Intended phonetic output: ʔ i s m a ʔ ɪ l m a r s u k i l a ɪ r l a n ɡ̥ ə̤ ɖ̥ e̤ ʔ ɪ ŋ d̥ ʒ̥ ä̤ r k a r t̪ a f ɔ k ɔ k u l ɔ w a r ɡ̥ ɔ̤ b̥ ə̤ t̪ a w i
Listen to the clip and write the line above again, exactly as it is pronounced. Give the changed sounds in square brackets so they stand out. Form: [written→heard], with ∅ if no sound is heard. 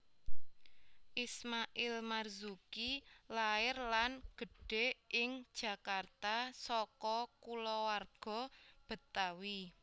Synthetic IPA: ʔ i s m a ʔ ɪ l m a r [s→z] u k i l a ɪ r l a n ɡ̥ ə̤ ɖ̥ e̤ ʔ ɪ ŋ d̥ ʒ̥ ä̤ [r→∅] k a r t̪ a [f→s] ɔ k ɔ k u l ɔ w a r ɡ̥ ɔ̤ b̥ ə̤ t̪ a w i